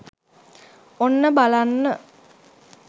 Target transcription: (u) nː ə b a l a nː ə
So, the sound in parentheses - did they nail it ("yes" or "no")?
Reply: no